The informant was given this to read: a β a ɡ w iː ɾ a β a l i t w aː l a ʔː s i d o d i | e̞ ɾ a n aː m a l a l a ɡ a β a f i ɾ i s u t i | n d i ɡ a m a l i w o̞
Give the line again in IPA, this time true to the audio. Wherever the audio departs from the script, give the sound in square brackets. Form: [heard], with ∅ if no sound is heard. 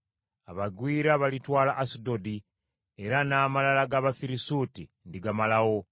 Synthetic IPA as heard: a β a ɡ w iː ɾ a β a l i t w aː l a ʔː s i d o d i | e̞ ɾ a n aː m a l a l a ɡ a β a f i ɾ i s u t i | n d i ɡ a m a l [a] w o̞